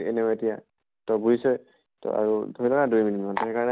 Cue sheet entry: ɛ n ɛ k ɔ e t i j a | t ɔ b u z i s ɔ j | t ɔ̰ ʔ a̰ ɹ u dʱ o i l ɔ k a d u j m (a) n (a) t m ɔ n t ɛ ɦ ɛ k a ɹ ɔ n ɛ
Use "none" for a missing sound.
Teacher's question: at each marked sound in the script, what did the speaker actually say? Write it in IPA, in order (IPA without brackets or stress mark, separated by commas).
i, i